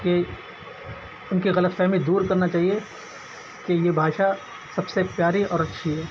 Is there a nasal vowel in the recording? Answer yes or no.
no